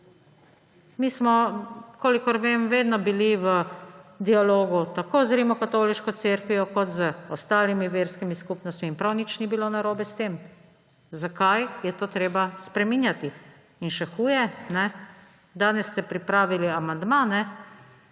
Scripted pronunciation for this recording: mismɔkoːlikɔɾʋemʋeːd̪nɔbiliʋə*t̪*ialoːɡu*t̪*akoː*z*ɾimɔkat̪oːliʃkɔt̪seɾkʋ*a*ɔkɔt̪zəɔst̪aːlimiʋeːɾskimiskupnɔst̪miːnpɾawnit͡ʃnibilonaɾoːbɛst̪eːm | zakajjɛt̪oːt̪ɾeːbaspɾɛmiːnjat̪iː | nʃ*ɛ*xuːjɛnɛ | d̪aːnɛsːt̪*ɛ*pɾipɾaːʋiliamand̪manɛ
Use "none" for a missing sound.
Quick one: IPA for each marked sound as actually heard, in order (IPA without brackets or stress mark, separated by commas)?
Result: d̪, t̪, z, i, ɛ, ɛ